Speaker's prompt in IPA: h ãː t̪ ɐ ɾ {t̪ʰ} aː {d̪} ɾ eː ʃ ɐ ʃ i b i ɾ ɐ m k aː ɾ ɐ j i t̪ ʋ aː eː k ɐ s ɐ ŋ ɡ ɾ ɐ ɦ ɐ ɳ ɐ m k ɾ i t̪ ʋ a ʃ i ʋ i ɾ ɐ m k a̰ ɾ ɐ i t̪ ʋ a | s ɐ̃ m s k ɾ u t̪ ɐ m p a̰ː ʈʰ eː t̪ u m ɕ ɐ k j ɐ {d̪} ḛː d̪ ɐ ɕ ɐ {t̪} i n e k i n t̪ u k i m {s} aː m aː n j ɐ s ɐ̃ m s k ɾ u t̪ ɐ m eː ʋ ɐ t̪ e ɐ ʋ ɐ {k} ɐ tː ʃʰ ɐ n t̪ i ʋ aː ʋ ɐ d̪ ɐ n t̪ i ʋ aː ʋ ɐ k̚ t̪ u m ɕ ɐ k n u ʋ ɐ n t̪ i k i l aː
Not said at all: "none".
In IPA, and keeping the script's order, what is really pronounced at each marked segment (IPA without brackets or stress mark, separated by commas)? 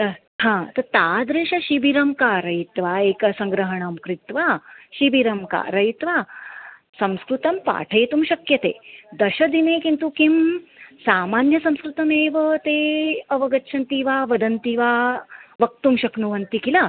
t̪, d̪, t̪, d̪, s, ɡ